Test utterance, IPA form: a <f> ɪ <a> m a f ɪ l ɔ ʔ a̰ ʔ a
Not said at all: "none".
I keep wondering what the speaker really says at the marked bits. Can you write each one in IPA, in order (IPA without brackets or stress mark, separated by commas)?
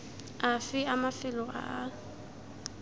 f, a